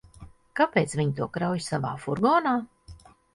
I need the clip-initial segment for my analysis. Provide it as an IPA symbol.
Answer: k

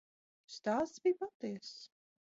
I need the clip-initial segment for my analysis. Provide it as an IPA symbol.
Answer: s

